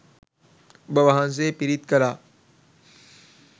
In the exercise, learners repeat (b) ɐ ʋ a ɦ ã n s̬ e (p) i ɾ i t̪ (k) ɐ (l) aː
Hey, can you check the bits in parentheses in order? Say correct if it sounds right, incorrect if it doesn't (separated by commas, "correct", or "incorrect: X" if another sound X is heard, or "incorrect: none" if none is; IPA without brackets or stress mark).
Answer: correct, correct, correct, incorrect: ɾ